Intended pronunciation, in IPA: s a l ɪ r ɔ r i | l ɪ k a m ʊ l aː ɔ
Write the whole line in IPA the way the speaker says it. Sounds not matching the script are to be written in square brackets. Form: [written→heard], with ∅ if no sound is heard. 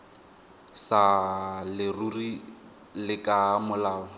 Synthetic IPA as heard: s a l ɪ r [ɔ→u] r i | l ɪ k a m ʊ l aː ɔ